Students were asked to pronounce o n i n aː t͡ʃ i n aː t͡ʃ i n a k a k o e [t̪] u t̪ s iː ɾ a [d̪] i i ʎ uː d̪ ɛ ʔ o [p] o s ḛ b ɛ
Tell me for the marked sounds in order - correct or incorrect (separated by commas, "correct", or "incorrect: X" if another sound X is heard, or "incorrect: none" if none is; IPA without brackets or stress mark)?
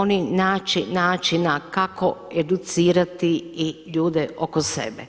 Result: incorrect: d̪, incorrect: t̪, incorrect: k